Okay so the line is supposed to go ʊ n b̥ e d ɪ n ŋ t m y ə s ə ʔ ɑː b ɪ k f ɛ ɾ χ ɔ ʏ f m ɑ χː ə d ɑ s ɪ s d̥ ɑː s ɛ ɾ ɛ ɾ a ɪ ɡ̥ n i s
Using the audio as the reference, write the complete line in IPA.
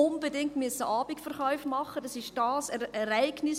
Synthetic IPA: ʊ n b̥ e d ɪ ŋ t m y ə s ə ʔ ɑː b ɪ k f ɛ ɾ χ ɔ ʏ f m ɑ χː ə d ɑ s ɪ ʃ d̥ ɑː s ɛ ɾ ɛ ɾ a ɪ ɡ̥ n ɪ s